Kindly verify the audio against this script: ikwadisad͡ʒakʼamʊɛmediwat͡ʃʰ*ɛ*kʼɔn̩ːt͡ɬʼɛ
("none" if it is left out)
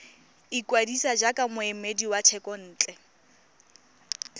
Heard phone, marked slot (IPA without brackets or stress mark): ɛ